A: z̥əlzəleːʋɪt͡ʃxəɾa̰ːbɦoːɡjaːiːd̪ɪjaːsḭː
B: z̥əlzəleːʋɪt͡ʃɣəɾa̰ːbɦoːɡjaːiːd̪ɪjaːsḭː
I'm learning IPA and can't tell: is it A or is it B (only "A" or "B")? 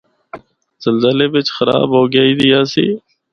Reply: A